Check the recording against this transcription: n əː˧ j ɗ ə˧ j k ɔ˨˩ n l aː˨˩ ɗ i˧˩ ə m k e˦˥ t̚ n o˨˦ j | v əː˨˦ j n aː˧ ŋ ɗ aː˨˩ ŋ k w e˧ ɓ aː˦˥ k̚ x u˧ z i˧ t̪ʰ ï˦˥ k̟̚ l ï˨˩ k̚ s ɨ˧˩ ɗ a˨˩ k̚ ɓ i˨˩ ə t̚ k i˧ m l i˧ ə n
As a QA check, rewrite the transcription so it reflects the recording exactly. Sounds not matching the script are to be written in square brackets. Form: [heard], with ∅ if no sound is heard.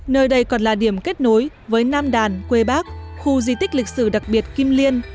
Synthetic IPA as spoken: n əː˧ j ɗ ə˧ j k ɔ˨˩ n l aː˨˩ ɗ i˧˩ ə m k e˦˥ t̚ n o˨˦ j | v əː˨˦ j n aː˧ [m] ɗ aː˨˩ [n] k w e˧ ɓ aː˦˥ k̚ x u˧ z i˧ [t̪] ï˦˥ k̟̚ l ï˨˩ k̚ s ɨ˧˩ ɗ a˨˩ k̚ ɓ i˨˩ ə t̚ k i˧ m l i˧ ə n